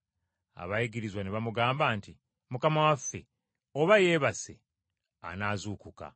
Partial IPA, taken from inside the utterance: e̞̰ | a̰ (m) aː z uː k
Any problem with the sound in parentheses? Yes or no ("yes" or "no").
yes